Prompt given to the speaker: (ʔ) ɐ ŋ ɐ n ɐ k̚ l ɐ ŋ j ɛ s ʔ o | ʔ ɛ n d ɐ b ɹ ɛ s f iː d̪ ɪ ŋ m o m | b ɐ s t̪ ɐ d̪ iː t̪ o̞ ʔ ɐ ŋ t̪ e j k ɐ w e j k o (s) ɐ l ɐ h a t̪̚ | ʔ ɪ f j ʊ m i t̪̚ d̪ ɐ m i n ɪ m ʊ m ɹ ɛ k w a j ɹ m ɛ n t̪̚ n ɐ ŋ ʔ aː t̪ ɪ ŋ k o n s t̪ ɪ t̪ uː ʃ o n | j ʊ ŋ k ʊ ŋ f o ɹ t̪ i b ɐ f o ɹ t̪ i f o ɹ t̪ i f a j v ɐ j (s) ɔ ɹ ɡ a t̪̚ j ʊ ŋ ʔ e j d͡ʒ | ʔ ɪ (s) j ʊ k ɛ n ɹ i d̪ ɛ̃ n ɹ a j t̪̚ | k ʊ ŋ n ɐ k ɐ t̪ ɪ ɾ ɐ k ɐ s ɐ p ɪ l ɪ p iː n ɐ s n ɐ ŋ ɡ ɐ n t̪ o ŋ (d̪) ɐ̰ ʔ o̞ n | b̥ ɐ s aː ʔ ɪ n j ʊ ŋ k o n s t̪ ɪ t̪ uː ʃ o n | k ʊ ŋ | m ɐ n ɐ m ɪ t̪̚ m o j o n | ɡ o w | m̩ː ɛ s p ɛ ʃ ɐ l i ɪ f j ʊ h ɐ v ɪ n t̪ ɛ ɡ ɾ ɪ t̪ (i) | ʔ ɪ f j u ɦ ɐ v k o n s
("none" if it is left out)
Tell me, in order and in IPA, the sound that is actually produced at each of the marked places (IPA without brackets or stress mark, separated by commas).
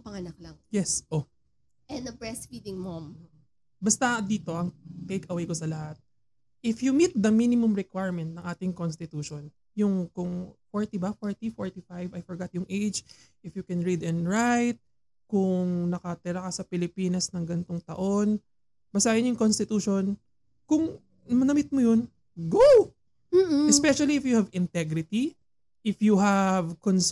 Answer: p, s, f, f, t̪, i